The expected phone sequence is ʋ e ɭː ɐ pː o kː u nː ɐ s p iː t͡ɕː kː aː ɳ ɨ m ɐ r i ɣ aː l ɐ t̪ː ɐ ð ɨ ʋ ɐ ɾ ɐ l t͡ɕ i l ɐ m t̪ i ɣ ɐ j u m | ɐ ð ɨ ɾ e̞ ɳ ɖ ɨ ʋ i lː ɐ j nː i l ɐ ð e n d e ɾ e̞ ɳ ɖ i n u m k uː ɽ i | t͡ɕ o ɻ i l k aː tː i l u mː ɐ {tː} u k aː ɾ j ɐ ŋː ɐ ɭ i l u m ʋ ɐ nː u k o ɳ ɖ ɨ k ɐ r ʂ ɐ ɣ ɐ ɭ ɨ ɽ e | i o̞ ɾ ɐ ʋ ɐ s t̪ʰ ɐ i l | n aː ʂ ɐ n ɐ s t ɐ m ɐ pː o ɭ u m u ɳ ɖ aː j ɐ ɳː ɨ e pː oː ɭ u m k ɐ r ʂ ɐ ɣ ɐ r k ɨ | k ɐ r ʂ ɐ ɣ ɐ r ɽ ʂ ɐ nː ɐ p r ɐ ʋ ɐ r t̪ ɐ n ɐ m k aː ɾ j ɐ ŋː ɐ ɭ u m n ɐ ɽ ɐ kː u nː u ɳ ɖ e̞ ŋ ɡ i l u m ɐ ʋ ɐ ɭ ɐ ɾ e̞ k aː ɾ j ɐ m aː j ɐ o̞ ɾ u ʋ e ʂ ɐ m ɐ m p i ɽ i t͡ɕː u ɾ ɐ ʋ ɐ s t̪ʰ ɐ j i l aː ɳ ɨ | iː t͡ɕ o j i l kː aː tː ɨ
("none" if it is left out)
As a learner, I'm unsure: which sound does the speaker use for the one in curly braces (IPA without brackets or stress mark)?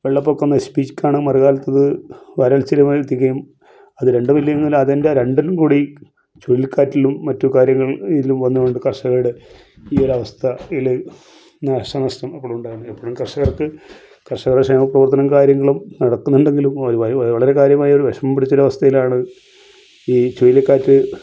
tː